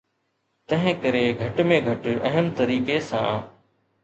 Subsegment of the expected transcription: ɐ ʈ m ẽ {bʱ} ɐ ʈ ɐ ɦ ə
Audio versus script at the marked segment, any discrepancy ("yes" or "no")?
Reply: yes